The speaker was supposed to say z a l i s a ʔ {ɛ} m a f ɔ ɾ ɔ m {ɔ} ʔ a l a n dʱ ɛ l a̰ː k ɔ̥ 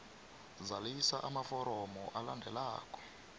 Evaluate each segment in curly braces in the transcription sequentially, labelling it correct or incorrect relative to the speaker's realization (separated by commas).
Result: incorrect, correct